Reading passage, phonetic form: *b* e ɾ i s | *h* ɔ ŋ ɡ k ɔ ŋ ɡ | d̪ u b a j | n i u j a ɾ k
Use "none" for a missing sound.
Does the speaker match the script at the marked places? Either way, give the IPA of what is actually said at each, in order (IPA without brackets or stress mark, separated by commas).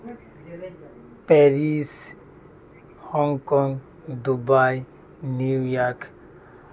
p, h